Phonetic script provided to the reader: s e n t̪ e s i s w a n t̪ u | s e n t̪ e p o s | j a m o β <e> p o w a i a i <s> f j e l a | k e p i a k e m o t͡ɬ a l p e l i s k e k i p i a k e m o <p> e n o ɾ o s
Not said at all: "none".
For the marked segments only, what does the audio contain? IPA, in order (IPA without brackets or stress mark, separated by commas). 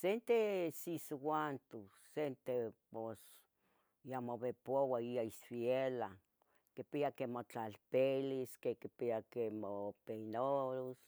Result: e, s, p